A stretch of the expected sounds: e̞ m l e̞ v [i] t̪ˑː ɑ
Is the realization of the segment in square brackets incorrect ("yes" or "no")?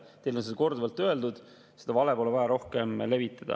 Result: no